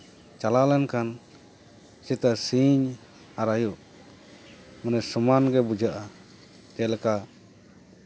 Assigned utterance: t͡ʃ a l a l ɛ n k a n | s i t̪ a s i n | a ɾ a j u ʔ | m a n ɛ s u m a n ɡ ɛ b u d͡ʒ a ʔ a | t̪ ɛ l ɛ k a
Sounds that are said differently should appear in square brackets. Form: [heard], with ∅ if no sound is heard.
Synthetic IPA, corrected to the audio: t͡ʃ a l a l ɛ n k a n | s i t̪ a s i [ɲ] | a ɾ a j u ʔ | m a n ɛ s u m a n ɡ ɛ b u d͡ʒ a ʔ a | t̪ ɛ l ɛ k a